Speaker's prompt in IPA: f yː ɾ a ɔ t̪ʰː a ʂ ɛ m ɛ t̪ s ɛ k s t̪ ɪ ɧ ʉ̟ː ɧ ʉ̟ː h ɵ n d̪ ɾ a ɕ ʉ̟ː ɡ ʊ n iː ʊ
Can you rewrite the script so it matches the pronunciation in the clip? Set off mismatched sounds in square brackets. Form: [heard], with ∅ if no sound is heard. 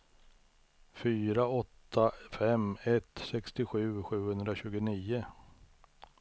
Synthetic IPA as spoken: f yː ɾ a ɔ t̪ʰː a [f] ɛ m ɛ t̪ s ɛ k s t̪ ɪ ɧ ʉ̟ː ɧ ʉ̟ː h ɵ n d̪ ɾ a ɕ ʉ̟ː ɡ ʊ n iː ʊ

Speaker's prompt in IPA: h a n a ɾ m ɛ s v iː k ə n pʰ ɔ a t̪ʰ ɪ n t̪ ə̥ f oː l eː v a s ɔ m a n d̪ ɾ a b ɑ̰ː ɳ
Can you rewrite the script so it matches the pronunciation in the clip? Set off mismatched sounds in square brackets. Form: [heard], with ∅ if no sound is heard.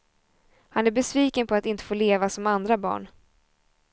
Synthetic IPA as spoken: h a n [æ] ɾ [b] ɛ s v iː k ə n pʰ ɔ a [t̪] ɪ n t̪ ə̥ f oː l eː v a s ɔ m a n d̪ ɾ a b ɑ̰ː ɳ

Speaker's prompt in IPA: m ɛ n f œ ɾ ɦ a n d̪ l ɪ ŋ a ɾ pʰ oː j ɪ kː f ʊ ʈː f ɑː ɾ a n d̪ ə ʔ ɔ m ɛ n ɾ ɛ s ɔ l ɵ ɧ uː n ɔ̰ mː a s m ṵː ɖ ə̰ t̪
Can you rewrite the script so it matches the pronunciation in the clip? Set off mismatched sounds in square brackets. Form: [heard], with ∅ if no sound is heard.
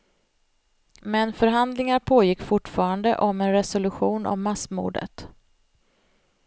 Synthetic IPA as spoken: m ɛ n f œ ɾ ɦ a n d̪ l ɪ ŋ a ɾ pʰ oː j ɪ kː f ʊ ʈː f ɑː ɾ a n d̪ ə ʔ ɔ m ɛ n ɾ ɛ s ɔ l ɵ ɧ uː n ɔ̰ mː a s m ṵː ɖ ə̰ t̪

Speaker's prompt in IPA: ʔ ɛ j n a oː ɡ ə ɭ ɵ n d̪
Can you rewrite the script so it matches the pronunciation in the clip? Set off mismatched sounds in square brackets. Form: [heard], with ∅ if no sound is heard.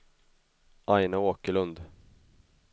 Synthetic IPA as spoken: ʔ [a] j n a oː [k] ə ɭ ɵ n d̪

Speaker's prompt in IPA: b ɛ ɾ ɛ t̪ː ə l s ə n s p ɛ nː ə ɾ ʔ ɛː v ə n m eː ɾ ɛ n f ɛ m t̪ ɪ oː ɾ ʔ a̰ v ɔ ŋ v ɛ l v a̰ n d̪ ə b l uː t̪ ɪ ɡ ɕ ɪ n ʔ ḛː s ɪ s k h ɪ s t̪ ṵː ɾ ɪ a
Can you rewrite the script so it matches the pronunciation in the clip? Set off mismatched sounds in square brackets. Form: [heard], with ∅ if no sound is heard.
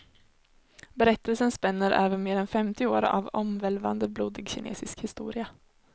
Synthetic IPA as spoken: b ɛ ɾ ɛ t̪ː ə l s ə n s p ɛ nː ə ɾ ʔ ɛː v ə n m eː ɾ ɛ n f ɛ m t̪ ɪ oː ɾ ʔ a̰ v ɔ [m] v ɛ l v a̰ n d̪ ə b l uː [d̪] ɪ ɡ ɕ ɪ n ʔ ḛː s ɪ s k h ɪ s t̪ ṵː ɾ ɪ a

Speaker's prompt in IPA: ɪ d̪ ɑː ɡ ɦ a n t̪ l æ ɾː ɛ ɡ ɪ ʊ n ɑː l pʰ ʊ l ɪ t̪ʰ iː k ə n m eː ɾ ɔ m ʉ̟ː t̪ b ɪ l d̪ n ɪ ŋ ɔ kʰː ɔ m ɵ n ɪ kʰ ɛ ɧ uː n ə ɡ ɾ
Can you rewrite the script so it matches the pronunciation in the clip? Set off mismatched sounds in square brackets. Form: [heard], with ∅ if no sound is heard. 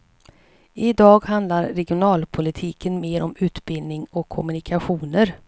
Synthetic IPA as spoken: ɪ d̪ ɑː ɡ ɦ a n [d̪] l [a] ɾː ɛ ɡ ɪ ʊ n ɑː l pʰ ʊ l ɪ t̪ʰ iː k ə n m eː ɾ ɔ m ʉ̟ː t̪ b ɪ l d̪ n ɪ ŋ ɔ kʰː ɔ m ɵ n ɪ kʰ [a] ɧ uː n ə [∅] ɾ

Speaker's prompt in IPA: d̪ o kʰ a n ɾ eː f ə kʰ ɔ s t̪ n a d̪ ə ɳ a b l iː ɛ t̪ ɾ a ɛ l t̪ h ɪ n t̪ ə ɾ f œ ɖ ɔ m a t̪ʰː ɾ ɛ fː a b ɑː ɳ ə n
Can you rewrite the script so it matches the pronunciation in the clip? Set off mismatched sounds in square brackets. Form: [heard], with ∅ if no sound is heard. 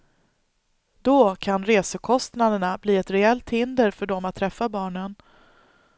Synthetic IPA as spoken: d̪ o kʰ a n ɾ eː [s] ə kʰ ɔ s t̪ n a d̪ ə ɳ a b l iː ɛ t̪ ɾ [ɛ] ɛ l t̪ h ɪ n [d̪] ə ɾ f œ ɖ ɔ m a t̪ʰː ɾ ɛ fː a b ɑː ɳ ə n

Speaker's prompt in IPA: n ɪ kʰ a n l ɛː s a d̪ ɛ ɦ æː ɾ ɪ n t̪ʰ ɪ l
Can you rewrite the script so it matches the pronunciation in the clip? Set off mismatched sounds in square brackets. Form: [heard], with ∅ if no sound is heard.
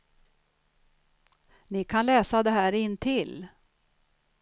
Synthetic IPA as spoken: n ɪ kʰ a n l ɛː s a d̪ ɛ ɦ æː ɾ ɪ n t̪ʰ ɪ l

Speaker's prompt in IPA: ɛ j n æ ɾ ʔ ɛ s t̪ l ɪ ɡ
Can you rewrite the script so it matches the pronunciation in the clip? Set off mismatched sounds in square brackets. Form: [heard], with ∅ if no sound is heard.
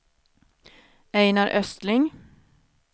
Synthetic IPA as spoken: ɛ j n [a] ɾ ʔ [œ] s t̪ l ɪ [ŋ]

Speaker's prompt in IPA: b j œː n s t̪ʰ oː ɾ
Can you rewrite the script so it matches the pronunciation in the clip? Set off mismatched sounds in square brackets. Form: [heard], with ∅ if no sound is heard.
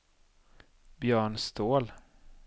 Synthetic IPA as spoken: b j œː [ɳ] s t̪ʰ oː [l]

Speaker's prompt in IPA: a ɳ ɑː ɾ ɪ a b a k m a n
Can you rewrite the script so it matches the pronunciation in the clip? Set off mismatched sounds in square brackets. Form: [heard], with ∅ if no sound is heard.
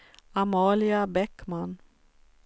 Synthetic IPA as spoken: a [m] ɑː [l] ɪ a b [ɛ] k m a n

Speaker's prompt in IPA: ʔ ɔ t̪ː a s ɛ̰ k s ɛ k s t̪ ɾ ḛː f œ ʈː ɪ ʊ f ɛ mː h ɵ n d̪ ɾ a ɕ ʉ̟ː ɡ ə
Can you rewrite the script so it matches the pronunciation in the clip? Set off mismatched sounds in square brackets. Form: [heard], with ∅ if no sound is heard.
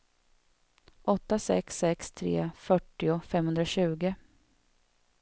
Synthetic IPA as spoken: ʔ ɔ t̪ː a s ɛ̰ k s ɛ k s [t̪ʰ] ɾ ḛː f œ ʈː ɪ ʊ f ɛ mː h ɵ n d̪ ɾ a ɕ ʉ̟ː ɡ ə

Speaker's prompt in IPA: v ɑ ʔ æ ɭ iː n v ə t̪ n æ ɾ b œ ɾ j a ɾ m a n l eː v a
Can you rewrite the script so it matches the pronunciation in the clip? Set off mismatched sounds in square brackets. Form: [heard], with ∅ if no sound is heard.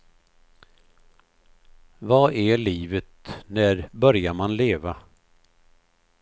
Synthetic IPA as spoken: v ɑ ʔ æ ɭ iː [∅] v ə t̪ n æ ɾ b œ ɾ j a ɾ m a n l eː v a

